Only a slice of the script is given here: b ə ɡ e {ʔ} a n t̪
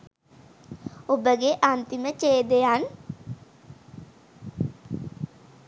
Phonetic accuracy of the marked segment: correct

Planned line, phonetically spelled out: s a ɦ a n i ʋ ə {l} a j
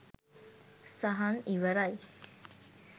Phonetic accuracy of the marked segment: incorrect: ɾ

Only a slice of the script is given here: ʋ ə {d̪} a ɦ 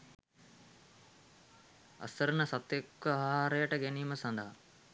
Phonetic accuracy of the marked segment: incorrect: none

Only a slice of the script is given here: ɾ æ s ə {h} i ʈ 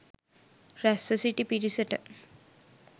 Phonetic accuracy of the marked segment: incorrect: s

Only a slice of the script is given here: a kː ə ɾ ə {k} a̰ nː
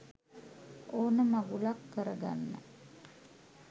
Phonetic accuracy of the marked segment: incorrect: ɡ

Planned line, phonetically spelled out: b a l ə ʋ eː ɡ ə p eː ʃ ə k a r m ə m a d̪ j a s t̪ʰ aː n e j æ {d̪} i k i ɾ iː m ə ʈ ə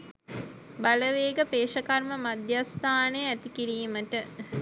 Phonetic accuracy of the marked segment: incorrect: t̪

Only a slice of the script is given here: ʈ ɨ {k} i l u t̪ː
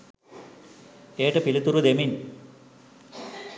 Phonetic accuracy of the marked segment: incorrect: p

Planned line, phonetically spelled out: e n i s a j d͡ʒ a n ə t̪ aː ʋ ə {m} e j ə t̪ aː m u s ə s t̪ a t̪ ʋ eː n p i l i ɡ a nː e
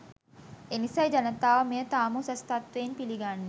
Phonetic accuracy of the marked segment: correct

